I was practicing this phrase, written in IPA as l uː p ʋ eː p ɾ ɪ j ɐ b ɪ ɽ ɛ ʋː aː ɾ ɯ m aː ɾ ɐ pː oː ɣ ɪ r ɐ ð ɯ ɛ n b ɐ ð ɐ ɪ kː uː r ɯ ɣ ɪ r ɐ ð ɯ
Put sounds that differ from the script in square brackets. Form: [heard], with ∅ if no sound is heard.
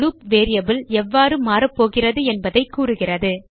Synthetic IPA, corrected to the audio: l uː p ʋ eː [∅] ɾ ɪ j ɐ b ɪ [l] ɛ ʋː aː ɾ ɯ m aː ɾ ɐ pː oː ɣ ɪ r ɐ ð ɯ ɛ n b ɐ ð ɐ ɪ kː uː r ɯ ɣ ɪ r ɐ ð ɯ